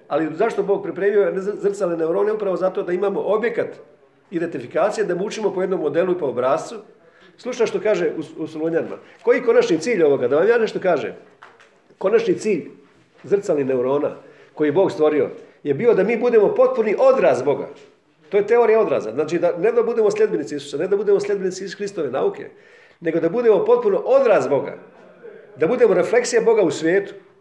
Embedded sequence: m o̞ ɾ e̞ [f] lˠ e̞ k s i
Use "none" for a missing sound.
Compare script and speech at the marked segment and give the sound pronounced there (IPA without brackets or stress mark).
f